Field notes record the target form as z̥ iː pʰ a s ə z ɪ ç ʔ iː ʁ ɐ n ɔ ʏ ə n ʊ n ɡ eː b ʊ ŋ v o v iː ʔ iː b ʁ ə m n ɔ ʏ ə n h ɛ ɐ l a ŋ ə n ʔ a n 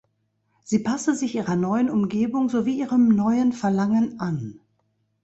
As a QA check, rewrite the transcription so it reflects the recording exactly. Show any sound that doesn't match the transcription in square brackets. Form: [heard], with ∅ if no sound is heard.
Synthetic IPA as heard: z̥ iː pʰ a s ə z ɪ ç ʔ iː ʁ ɐ n ɔ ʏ ə n ʊ [m] ɡ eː b ʊ ŋ [z] o v iː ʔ iː [∅] ʁ ə m n ɔ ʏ ə n [f] ɛ ɐ l a ŋ ə n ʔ a n